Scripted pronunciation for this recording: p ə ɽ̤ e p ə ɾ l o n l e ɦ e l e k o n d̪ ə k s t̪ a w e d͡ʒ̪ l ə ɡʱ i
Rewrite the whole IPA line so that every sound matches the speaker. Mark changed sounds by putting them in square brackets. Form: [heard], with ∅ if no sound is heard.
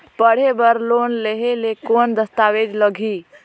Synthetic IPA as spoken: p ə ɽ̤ e [b] ə ɾ l o n l e ɦ e l e k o n d̪ ə [∅] s t̪ a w e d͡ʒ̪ l ə ɡʱ i